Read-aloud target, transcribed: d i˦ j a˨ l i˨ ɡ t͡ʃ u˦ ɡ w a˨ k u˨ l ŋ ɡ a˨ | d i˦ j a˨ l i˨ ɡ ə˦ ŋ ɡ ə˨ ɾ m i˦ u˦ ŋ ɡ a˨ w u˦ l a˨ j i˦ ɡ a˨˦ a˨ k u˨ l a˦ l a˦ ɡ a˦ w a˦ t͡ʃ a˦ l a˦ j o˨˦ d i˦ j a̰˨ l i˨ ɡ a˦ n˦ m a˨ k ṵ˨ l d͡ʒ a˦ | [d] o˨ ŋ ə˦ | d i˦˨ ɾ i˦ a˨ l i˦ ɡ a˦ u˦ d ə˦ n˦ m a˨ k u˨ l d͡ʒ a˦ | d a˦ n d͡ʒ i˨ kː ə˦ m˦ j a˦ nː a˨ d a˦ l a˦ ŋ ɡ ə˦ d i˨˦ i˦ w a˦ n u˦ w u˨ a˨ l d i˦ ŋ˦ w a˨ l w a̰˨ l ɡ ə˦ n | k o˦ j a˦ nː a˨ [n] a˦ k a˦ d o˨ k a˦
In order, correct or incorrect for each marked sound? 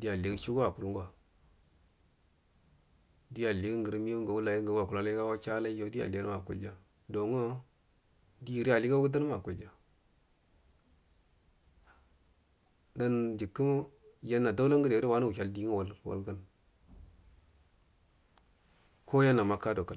correct, incorrect

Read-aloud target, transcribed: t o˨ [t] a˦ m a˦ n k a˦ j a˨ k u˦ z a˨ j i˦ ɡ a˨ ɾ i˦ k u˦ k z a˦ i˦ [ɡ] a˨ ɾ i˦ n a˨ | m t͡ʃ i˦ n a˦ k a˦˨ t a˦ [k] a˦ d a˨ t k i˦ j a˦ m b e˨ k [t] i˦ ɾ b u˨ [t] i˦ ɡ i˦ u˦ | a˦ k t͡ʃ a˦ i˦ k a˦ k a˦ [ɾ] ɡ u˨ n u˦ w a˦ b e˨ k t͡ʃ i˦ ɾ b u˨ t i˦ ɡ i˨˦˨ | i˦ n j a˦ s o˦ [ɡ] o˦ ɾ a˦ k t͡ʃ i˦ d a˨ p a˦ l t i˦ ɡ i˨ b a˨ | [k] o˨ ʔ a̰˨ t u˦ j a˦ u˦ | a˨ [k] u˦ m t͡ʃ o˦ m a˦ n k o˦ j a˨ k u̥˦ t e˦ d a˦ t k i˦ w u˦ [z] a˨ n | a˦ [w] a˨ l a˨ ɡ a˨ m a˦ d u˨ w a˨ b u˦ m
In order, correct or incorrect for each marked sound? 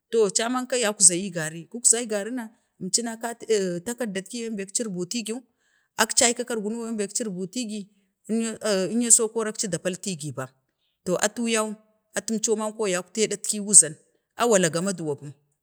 incorrect, correct, correct, incorrect, correct, correct, incorrect, incorrect, incorrect, correct, correct

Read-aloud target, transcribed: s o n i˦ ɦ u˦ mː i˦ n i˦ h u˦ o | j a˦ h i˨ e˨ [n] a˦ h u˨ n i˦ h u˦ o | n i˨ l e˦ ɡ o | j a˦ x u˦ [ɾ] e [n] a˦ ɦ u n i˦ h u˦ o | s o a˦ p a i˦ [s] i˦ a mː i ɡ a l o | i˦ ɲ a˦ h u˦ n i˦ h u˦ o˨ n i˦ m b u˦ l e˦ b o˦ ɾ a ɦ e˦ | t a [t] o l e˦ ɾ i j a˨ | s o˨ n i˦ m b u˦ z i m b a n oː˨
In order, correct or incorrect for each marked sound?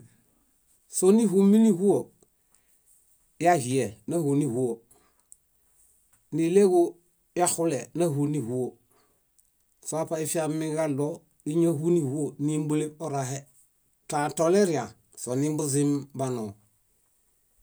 correct, incorrect, correct, incorrect, correct

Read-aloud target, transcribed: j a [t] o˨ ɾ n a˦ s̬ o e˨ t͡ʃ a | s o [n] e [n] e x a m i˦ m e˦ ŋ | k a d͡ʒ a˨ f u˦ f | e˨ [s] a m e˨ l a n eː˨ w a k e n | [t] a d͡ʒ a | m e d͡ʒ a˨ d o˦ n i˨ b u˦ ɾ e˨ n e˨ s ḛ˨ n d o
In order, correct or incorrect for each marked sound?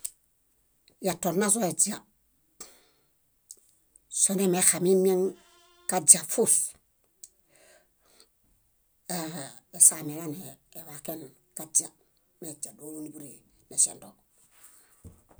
correct, correct, incorrect, correct, incorrect

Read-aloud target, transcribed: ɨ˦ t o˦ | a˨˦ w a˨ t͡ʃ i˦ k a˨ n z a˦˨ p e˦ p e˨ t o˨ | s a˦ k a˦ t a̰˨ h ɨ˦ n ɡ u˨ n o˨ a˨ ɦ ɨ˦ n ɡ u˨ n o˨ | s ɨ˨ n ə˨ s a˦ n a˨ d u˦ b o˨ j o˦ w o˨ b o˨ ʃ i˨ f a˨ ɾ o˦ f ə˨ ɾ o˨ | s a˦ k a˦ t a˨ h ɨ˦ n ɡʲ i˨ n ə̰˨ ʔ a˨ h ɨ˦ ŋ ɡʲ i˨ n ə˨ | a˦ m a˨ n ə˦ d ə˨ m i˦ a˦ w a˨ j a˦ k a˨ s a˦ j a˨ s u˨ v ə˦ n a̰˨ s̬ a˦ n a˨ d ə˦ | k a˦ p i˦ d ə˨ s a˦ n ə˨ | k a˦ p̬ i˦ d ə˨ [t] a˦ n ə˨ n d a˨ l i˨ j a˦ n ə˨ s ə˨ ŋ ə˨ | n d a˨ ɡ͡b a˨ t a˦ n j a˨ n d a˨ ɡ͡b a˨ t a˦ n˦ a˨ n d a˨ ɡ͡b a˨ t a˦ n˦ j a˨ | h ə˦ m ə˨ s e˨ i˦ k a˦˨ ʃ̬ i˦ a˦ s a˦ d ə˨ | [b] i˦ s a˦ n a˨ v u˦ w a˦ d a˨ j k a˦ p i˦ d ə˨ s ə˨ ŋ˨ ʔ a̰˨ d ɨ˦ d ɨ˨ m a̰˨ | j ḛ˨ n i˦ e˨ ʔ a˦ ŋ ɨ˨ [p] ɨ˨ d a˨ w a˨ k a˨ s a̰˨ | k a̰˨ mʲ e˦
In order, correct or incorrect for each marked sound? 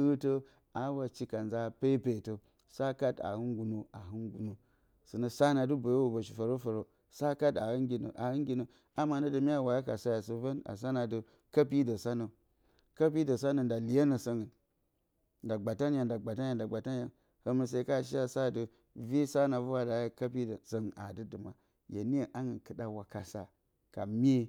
incorrect, incorrect, incorrect

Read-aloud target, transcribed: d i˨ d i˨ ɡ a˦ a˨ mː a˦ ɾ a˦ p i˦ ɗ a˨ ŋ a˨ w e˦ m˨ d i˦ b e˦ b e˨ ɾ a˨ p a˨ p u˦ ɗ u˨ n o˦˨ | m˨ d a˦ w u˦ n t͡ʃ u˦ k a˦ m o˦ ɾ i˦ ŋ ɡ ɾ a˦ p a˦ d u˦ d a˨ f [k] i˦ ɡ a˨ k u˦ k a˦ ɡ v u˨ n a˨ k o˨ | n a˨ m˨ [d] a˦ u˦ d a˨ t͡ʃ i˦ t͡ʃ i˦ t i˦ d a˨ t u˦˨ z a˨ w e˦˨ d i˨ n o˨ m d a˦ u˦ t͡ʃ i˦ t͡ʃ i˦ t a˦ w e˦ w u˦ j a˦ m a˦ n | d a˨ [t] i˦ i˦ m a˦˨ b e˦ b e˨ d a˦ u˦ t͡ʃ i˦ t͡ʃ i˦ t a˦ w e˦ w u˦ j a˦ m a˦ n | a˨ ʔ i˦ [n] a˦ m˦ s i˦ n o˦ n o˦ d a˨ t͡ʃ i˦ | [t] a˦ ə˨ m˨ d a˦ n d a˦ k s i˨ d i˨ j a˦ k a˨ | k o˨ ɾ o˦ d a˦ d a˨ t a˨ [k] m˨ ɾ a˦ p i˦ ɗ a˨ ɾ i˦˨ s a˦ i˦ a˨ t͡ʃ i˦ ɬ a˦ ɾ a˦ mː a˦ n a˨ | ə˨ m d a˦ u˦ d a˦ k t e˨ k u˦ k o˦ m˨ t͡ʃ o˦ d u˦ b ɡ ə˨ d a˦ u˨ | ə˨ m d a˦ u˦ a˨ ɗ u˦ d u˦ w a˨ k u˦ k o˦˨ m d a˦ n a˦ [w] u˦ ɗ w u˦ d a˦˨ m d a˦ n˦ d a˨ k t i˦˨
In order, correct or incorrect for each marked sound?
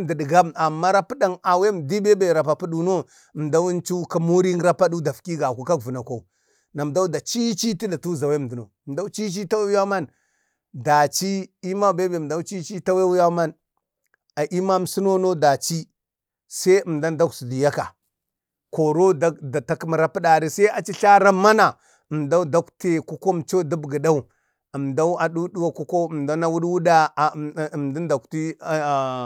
correct, correct, incorrect, incorrect, incorrect, correct, correct

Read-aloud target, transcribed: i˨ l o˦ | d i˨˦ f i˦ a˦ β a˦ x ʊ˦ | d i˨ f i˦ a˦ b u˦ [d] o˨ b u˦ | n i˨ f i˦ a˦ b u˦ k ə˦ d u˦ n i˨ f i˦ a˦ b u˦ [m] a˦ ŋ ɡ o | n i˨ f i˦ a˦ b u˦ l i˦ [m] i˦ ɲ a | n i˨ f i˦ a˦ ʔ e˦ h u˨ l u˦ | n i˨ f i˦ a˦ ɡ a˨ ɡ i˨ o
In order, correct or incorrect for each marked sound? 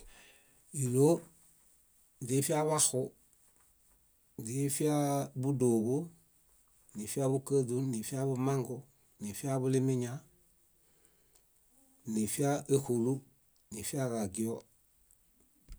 correct, correct, correct

